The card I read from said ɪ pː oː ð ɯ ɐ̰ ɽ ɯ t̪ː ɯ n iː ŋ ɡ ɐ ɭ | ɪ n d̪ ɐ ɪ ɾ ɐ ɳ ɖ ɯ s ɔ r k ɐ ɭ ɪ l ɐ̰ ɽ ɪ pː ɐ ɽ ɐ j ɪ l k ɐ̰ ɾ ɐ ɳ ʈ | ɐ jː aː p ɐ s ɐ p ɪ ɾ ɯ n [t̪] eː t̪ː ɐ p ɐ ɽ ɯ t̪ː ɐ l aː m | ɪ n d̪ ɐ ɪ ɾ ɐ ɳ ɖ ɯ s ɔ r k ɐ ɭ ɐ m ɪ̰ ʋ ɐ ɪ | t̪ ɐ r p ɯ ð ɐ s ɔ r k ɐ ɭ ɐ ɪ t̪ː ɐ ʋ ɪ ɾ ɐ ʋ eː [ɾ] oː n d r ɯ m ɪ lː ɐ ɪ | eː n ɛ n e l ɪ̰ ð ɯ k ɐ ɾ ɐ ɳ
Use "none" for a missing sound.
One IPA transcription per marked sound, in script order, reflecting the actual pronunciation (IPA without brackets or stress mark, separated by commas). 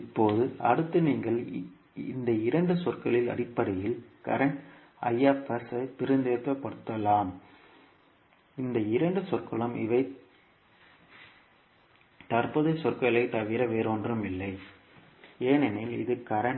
d̪, ɾ